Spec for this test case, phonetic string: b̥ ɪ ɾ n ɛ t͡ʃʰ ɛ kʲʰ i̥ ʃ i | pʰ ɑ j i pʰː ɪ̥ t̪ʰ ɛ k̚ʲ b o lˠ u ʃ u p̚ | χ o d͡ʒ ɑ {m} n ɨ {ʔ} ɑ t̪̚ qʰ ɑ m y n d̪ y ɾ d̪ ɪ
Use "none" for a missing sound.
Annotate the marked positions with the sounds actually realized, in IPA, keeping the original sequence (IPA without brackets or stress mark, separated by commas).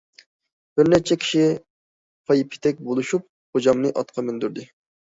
m, ʔ